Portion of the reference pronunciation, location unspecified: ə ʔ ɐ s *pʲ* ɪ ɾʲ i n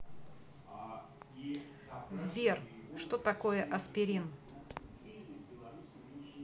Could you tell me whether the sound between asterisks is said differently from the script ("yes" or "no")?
no